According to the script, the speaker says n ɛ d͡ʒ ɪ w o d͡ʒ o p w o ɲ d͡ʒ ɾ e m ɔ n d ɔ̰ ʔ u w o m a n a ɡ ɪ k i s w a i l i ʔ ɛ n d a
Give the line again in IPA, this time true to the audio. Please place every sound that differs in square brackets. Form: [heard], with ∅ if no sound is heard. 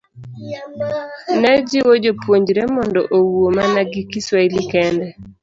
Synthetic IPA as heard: n ɛ d͡ʒ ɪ w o d͡ʒ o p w o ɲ d͡ʒ ɾ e m ɔ n d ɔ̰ ʔ [o] w o m a n a ɡ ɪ k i s w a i l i [k] ɛ n d [ɛ]